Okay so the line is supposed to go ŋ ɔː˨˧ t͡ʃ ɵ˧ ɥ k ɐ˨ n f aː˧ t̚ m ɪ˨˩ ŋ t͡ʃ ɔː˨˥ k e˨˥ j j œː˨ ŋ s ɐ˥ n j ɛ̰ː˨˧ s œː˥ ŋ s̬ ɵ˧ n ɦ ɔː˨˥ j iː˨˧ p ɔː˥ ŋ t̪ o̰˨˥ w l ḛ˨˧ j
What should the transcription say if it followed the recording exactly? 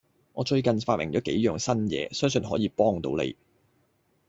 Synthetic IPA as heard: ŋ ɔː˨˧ t͡ʃ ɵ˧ ɥ k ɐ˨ n f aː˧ t̚ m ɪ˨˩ ŋ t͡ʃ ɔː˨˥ k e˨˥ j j œː˨ ŋ s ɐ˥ n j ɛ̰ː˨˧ s œː˥ ŋ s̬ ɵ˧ n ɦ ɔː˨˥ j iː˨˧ p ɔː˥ ŋ t̪ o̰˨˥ w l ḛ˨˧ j